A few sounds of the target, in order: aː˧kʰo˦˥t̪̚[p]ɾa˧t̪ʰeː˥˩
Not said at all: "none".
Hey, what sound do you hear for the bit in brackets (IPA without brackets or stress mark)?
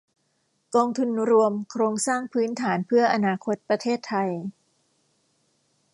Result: p